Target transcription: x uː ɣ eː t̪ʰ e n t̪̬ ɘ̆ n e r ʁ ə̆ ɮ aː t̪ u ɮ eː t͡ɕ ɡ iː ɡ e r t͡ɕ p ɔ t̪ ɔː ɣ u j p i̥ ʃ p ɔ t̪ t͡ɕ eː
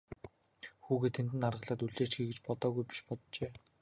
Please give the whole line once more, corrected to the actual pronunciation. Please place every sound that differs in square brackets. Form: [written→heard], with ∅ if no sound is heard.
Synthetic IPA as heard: x uː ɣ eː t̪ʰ e n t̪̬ ɘ̆ n [e→a] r ʁ ə̆ ɮ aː t̪ u ɮ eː t͡ɕ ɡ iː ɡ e [r→∅] t͡ɕ p ɔ t̪ ɔː ɣ u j p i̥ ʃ p ɔ t̪ t͡ɕ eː